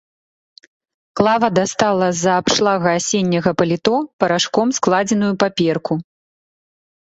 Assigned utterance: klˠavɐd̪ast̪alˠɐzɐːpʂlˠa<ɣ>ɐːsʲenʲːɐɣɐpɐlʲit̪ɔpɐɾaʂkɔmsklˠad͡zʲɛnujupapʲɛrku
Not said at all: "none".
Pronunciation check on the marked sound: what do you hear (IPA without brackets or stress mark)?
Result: ɣ